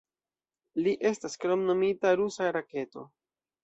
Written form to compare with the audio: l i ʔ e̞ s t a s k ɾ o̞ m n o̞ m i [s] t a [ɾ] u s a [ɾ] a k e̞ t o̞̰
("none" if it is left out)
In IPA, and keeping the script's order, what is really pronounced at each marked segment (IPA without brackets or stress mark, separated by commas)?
none, ɾ, ɾ